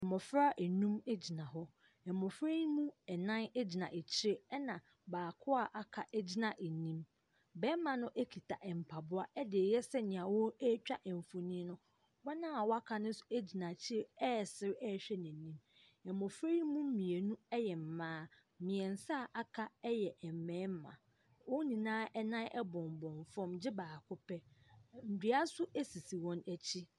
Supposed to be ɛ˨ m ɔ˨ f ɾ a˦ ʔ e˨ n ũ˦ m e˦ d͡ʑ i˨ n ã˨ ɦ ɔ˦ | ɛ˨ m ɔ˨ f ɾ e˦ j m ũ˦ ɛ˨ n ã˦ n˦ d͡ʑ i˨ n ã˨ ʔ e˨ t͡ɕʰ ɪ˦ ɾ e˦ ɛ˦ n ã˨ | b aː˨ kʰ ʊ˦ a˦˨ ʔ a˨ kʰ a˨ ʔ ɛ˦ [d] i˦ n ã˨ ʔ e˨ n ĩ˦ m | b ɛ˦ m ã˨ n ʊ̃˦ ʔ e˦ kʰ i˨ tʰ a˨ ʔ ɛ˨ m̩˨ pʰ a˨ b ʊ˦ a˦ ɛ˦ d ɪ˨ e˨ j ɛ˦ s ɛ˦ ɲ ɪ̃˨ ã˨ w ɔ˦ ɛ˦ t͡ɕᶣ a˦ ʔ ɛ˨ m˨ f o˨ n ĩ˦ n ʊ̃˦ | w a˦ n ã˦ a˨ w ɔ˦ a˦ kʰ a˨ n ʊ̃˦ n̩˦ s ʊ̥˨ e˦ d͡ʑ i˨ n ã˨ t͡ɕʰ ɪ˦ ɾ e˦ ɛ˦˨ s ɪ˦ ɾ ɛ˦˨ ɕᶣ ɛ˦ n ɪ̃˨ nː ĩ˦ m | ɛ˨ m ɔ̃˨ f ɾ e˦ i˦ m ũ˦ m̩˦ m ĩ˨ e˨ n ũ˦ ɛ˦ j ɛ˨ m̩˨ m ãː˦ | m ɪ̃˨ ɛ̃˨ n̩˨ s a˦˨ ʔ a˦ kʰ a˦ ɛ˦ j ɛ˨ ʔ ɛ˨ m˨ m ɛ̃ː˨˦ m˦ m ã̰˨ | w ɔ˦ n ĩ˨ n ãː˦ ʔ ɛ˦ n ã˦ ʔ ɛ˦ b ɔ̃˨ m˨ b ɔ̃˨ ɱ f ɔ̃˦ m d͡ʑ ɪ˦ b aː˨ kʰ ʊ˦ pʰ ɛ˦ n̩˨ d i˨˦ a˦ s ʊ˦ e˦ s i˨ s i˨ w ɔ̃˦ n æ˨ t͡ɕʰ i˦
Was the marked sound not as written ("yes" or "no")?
yes